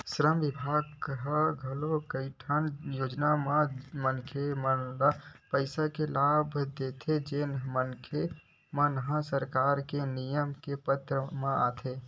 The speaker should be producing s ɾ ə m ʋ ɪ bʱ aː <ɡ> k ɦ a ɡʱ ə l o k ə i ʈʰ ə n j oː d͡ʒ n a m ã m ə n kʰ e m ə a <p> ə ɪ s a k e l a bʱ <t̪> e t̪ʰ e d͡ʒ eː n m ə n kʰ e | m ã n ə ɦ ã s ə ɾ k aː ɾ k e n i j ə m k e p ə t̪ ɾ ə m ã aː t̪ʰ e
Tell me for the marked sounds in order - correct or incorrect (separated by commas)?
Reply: correct, correct, incorrect